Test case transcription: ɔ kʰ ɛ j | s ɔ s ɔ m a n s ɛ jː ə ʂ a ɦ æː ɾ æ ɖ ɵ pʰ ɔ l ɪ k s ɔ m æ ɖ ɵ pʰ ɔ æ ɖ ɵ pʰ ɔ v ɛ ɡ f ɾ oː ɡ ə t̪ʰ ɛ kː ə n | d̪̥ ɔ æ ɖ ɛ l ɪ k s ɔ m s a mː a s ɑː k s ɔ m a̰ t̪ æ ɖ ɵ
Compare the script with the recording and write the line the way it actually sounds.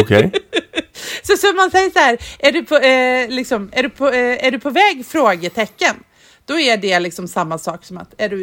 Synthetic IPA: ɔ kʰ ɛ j | s ɔ s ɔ m a n s ɛ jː ə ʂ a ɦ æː ɾ æ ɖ ɵ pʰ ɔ l ɪ k s ɔ m æ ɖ ɵ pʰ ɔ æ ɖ ɵ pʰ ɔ v ɛː ɡ f ɾ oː ɡ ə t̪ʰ ɛ kː ə n | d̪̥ ɔ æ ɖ ɛ l ɪ k s ɔ m s a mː a s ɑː k s ɔ m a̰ t̪ æ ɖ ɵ